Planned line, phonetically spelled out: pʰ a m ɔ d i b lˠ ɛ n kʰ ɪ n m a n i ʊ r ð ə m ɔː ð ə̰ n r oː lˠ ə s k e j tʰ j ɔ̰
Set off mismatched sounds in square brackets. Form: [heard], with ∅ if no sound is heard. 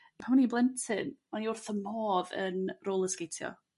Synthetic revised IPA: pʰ a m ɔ [n] i b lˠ ɛ n [tʰ] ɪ n m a n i ʊ r [θ] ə m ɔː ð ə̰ n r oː lˠ ə s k e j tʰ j ɔ̰